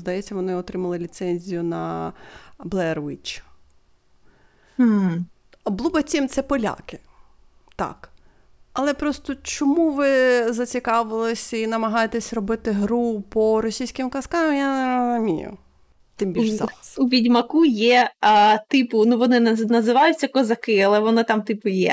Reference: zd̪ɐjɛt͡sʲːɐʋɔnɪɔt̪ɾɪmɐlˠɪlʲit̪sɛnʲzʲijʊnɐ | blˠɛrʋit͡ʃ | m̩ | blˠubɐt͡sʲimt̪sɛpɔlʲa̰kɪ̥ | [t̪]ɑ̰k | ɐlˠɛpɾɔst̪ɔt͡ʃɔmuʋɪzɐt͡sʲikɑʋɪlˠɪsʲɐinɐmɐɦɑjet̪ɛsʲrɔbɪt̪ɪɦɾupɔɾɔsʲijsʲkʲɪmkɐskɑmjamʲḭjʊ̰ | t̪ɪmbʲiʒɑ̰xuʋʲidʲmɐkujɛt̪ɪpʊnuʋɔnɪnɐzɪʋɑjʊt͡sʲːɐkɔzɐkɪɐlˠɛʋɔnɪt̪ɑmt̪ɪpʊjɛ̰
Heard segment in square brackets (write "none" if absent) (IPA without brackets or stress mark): t̪